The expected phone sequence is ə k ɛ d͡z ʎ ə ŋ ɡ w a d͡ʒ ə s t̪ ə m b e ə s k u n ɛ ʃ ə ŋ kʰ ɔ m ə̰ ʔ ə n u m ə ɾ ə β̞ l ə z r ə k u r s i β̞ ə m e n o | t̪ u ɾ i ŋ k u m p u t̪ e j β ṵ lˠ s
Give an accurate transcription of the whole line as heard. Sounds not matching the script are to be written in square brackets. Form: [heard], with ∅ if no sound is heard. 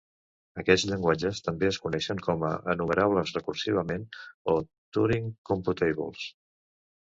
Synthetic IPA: ə k ɛ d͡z ʎ ə ŋ ɡ w a d͡ʒ ə s t̪ ə m b e ə s k u n ɛ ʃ ə ŋ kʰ ɔ m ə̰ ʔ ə n u m ə ɾ [a] β̞ l ə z r ə k u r s i β̞ ə m e n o | t̪ u ɾ i ŋ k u m p u t̪ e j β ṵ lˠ s